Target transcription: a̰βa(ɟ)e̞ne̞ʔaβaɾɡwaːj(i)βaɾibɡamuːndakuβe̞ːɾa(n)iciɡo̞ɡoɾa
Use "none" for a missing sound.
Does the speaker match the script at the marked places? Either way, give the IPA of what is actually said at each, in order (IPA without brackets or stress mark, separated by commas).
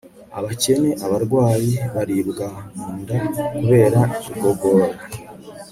c, i, none